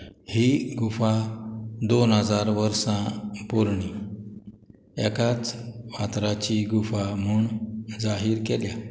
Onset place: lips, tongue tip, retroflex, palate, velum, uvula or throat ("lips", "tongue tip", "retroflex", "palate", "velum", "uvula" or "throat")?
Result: throat